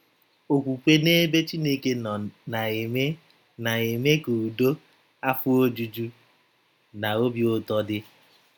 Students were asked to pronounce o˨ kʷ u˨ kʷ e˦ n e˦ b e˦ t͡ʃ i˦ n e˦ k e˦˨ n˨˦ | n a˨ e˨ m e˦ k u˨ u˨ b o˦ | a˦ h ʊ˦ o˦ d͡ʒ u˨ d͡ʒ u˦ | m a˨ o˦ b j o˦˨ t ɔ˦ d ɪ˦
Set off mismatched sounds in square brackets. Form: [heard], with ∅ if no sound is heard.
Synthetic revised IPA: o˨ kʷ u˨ kʷ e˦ n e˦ b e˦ t͡ʃ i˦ n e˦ k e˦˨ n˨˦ | n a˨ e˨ m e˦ k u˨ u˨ [d] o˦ | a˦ [f] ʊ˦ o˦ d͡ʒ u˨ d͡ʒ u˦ | [n] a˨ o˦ b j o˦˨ t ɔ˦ d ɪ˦